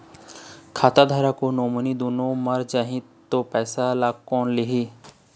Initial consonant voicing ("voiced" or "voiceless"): voiceless